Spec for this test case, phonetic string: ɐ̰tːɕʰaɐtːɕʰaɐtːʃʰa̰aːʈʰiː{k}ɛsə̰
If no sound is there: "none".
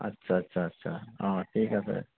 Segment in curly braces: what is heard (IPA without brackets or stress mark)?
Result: k